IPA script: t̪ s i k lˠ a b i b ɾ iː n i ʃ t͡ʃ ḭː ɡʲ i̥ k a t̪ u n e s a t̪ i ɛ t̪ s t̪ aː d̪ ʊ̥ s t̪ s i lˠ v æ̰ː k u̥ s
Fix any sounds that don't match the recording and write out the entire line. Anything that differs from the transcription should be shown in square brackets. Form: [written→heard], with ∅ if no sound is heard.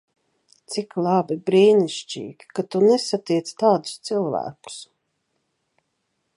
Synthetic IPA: t̪ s i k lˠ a b i b ɾ iː n i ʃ t͡ʃ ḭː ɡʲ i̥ k a t̪ u n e s a t̪ i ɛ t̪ s t̪ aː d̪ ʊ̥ s t̪ s i lˠ v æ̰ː k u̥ s